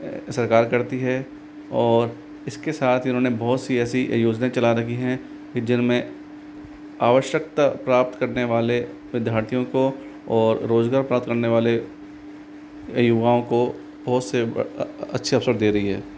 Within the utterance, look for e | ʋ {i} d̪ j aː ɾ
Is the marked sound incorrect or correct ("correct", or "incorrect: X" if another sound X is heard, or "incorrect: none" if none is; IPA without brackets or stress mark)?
incorrect: ɪ